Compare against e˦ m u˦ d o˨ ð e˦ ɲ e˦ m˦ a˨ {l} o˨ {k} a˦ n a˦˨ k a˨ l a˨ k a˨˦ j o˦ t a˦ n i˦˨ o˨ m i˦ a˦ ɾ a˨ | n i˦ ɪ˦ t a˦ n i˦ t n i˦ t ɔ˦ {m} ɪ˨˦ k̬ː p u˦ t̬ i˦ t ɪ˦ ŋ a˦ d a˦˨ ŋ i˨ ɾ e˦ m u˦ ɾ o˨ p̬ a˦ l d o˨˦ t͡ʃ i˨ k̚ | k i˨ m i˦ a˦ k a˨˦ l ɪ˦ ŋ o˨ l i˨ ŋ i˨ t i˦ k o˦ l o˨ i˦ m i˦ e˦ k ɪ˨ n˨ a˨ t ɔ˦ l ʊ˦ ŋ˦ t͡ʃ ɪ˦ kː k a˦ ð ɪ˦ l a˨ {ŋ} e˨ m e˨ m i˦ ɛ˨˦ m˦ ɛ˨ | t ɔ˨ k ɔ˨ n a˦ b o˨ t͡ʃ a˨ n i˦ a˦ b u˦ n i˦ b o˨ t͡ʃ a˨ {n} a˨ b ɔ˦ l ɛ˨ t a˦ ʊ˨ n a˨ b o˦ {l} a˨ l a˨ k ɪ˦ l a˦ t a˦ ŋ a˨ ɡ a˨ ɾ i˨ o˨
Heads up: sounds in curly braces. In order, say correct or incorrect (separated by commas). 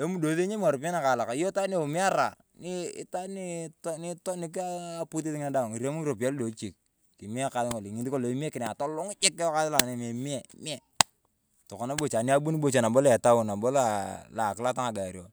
incorrect, incorrect, incorrect, incorrect, correct, correct